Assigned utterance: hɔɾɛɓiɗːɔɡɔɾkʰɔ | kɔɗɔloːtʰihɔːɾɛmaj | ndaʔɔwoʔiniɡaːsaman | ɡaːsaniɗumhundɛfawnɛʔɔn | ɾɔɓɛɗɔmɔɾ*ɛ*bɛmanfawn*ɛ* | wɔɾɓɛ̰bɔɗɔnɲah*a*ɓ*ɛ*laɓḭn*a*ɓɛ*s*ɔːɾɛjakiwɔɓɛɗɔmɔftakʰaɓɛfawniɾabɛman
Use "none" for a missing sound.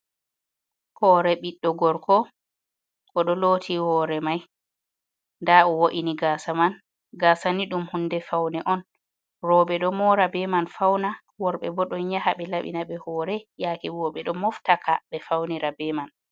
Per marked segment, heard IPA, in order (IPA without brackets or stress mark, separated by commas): a, a, a, ɛ, a, h